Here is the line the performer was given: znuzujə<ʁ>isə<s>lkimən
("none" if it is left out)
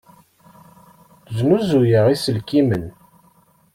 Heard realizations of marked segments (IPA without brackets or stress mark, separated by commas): ʁ, none